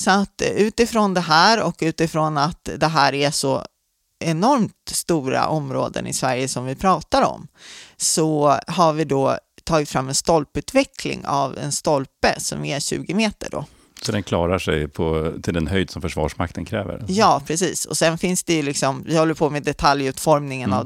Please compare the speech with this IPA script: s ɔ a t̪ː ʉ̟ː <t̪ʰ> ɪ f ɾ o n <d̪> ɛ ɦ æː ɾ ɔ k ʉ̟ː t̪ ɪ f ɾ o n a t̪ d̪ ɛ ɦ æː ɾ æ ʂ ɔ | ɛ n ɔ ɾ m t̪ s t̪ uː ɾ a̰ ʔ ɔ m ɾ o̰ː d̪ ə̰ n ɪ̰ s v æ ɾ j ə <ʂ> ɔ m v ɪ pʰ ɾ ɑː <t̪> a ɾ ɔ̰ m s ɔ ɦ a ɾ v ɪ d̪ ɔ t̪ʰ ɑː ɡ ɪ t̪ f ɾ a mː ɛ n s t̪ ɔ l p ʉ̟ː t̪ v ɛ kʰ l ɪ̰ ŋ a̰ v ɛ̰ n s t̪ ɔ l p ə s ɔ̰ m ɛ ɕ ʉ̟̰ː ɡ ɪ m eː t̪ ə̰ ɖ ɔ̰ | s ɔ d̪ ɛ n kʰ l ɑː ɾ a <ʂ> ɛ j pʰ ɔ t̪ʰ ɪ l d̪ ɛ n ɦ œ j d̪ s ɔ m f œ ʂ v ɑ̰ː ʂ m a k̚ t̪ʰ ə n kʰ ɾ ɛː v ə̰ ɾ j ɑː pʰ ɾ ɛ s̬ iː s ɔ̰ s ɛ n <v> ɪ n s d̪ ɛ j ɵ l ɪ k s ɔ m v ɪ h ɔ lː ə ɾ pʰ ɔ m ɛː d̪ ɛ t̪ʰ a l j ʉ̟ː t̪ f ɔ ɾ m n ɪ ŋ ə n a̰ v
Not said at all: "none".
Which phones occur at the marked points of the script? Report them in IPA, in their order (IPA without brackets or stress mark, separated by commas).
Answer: t̪, d̪, s, t̪, ʂ, f